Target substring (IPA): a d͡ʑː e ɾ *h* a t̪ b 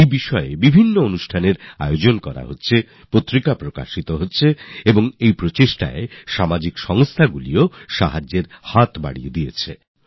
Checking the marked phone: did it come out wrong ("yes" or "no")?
no